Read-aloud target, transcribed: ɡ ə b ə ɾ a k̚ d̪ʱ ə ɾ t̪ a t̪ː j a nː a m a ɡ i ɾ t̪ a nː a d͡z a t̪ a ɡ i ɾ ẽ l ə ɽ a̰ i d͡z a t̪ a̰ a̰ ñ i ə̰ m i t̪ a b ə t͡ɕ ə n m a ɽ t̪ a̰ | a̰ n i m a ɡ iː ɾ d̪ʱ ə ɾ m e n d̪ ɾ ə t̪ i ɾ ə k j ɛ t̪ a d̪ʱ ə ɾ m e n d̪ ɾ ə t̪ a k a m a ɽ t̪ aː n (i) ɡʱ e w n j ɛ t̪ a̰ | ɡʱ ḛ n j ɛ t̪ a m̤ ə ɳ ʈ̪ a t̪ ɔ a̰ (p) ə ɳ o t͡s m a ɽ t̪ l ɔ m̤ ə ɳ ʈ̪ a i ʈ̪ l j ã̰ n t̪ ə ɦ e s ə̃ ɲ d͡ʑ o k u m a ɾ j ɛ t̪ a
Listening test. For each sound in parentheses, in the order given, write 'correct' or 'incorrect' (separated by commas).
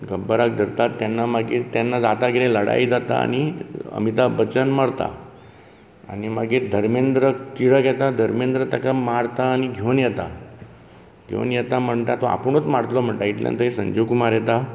correct, correct